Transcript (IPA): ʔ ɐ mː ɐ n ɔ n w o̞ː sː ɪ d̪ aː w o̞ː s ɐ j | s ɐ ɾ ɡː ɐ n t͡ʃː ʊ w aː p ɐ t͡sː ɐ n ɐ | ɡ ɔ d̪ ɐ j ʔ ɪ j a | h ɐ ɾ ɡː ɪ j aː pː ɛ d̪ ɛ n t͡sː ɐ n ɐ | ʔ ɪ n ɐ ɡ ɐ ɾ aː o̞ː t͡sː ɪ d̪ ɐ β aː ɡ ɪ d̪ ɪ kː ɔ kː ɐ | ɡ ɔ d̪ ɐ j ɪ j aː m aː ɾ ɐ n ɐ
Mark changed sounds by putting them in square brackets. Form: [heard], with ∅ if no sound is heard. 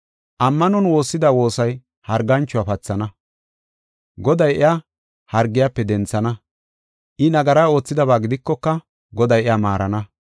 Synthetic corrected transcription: ʔ ɐ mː ɐ n ɔ n w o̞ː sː ɪ d̪ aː w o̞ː s ɐ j | [h] ɐ ɾ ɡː ɐ n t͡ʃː ʊ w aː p ɐ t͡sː ɐ n ɐ | ɡ ɔ d̪ ɐ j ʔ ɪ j a | h ɐ ɾ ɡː ɪ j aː pː ɛ d̪ ɛ n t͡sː ɐ n ɐ | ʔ ɪ n ɐ ɡ ɐ ɾ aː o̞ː t͡sː ɪ d̪ ɐ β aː ɡ ɪ d̪ ɪ kː ɔ kː ɐ | ɡ ɔ d̪ ɐ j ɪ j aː m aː ɾ ɐ n ɐ